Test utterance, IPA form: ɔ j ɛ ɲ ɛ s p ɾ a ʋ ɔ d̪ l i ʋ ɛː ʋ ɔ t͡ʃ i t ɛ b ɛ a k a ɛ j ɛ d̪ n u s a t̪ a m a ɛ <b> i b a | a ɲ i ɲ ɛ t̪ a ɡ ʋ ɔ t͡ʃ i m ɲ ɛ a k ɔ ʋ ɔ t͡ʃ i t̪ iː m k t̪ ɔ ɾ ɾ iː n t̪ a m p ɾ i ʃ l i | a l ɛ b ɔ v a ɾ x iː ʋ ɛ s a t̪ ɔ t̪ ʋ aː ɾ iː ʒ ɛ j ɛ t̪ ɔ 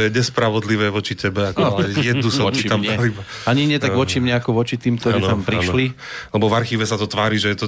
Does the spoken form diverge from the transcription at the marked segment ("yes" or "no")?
yes